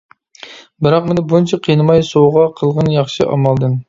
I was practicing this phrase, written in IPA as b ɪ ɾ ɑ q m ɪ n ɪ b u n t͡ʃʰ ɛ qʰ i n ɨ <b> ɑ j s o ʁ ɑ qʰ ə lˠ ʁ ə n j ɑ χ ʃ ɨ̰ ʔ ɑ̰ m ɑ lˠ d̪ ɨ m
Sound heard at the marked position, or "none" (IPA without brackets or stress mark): m